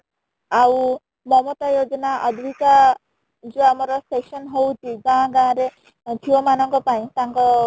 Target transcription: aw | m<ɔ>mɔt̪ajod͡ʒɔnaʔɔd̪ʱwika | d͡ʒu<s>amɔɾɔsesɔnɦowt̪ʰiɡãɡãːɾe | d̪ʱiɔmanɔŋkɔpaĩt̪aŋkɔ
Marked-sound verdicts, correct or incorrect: correct, incorrect: none

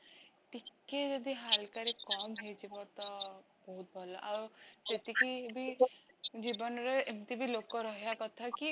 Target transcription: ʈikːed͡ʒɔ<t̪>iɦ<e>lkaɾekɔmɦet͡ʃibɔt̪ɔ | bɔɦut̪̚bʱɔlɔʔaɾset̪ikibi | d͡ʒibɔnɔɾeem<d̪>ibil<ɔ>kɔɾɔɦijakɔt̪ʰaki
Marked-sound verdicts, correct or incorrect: incorrect: d̪, incorrect: a, incorrect: t̪, incorrect: o

